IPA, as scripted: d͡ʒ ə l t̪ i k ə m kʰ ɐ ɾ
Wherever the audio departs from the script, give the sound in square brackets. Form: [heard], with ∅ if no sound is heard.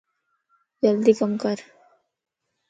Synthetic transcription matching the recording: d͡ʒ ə l [d̪] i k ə m [k] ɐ ɾ